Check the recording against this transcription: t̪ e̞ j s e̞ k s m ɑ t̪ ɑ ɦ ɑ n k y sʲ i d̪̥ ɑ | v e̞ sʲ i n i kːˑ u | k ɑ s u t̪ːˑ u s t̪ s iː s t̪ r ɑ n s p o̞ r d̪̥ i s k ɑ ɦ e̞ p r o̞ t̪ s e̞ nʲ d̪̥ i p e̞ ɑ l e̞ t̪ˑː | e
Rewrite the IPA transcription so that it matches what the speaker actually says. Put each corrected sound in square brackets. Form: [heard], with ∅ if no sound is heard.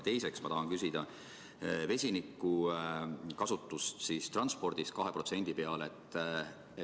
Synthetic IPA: t̪ e̞ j s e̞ k s m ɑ t̪ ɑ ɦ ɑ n k y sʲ i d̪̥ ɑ | v e̞ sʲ i n i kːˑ u | k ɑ s u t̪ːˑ u s t̪ s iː s t̪ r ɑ n s p o̞ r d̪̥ i s k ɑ ɦ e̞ p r o̞ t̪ s e̞ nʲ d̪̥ i p e̞ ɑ l e̞ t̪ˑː | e